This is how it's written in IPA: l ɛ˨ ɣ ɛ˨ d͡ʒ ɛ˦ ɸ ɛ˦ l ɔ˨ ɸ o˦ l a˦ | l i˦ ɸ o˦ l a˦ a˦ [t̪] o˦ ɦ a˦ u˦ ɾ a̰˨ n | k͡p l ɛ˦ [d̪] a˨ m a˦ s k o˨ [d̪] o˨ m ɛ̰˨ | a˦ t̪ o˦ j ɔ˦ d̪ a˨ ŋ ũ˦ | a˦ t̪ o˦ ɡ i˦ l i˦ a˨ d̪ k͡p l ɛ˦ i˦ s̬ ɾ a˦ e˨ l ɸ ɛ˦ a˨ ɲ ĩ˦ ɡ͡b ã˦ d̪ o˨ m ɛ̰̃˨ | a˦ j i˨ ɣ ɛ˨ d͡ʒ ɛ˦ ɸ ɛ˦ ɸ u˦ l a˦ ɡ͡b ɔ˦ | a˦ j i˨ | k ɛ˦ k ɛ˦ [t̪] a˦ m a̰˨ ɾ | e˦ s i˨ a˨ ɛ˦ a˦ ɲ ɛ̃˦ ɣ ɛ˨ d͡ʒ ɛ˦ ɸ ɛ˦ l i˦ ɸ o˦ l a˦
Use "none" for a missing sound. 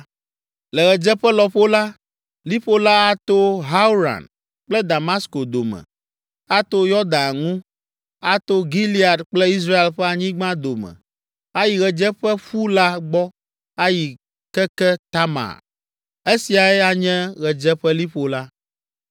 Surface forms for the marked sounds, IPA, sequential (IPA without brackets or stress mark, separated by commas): t̪, d̪, d̪, t̪